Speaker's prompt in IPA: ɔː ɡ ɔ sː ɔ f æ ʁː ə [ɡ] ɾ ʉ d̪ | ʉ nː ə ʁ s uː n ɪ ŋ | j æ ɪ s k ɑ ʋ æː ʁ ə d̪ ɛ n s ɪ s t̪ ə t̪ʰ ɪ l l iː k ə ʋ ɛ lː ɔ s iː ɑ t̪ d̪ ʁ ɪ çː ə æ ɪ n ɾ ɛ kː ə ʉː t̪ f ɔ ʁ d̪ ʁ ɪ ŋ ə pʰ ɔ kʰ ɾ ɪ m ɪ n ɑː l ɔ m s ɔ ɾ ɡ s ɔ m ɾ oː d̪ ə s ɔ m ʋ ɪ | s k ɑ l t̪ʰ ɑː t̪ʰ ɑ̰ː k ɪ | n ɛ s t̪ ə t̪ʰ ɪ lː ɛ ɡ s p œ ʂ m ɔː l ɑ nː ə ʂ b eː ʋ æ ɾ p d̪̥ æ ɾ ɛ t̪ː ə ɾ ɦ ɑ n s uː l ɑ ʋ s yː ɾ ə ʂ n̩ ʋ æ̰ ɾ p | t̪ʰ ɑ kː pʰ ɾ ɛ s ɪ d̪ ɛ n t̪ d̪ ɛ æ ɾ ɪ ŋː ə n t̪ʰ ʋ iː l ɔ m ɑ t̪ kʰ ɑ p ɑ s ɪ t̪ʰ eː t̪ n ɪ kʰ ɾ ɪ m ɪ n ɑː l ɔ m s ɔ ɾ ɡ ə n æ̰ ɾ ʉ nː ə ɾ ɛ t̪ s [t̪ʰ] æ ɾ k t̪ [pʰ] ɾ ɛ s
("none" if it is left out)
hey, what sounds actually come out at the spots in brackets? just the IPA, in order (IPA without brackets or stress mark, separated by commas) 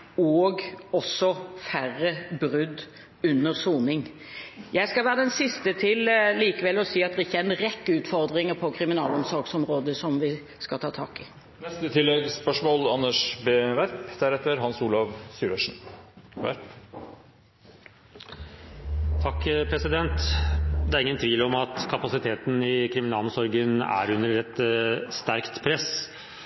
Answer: b, t̪, pʰ